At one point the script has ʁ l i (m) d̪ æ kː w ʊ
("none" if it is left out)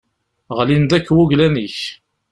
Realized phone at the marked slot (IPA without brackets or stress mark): n